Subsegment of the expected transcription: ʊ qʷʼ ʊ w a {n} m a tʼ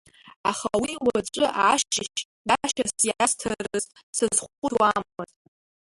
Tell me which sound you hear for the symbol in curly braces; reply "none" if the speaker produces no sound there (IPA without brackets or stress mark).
m